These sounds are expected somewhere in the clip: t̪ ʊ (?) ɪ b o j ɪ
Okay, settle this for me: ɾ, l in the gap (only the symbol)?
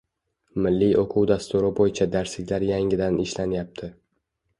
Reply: ɾ